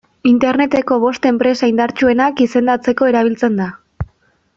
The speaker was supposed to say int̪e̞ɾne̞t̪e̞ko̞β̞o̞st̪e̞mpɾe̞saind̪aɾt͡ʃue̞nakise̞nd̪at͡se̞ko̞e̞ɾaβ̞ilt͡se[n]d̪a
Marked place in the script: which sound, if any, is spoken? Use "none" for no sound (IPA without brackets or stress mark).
n